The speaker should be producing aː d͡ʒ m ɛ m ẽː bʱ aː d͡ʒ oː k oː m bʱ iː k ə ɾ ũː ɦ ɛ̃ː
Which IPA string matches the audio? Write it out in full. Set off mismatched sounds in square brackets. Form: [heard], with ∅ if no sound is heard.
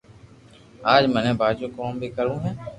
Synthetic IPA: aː d͡ʒ m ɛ [n] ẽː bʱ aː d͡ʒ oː k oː m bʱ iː k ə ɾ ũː ɦ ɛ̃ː